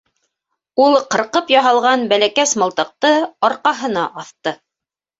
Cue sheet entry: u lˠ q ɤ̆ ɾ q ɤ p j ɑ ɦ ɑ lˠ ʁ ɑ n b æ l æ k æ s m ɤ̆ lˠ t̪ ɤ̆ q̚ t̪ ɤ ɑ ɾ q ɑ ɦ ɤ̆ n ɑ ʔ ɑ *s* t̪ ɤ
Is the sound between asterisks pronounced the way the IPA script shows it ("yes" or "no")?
no